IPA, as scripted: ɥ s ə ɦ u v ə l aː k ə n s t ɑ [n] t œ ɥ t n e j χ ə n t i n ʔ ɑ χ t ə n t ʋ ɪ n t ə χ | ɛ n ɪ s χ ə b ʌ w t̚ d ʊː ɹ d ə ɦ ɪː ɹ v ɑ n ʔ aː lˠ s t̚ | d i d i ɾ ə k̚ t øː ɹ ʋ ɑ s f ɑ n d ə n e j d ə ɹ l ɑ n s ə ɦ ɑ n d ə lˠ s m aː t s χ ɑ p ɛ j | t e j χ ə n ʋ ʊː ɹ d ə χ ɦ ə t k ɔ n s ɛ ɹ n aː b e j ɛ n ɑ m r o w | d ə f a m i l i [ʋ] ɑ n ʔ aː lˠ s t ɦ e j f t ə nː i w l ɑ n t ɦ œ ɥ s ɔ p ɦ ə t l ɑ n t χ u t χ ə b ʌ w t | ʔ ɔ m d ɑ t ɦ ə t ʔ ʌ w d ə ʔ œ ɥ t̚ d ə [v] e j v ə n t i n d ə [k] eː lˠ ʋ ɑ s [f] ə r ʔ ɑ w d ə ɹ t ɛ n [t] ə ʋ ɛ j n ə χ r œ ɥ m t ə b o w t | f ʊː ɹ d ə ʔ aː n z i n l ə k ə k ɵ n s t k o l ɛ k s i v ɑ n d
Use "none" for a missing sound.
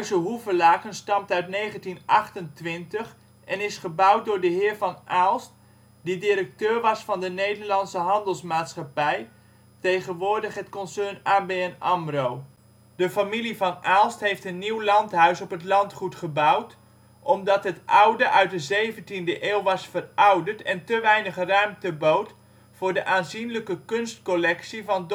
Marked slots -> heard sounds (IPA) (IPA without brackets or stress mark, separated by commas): m, v, z, ʔ, f, t